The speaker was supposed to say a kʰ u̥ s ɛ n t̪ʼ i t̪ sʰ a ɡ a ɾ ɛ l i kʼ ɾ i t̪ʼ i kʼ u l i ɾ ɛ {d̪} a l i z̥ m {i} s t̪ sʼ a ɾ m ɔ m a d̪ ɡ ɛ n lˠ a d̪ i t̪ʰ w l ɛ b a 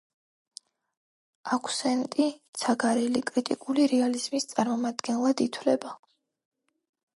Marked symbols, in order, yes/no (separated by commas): no, yes